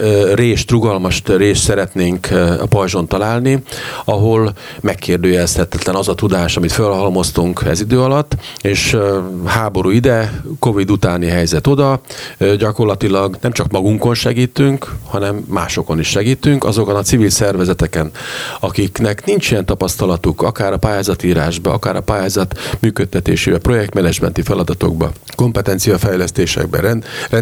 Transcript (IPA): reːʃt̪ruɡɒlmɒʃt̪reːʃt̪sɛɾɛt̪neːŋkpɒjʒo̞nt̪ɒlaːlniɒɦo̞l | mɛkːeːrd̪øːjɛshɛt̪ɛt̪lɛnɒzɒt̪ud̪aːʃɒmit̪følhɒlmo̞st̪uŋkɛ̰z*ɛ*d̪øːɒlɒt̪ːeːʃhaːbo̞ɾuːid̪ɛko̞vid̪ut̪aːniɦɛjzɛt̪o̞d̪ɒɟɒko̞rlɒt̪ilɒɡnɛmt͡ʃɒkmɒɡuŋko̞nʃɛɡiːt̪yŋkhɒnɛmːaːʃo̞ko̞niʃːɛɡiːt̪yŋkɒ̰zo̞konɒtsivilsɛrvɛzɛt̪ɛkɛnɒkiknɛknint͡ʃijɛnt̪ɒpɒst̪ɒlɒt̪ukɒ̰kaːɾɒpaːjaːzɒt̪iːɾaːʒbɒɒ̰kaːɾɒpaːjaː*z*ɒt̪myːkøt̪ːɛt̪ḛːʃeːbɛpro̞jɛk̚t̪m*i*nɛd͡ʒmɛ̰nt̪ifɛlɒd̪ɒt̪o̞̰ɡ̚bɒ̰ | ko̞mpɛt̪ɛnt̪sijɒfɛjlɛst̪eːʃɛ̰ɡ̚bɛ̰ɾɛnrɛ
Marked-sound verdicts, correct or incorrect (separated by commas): incorrect, correct, incorrect